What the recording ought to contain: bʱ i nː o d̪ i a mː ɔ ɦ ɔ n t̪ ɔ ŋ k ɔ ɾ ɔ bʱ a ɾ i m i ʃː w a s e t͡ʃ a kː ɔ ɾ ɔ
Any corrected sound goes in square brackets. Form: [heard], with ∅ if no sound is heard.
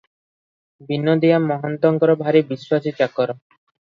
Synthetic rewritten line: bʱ i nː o d̪ i a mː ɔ ɦ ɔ n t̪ ɔ ŋ k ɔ ɾ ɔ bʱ a ɾ i [b] i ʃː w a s [i] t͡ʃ a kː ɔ ɾ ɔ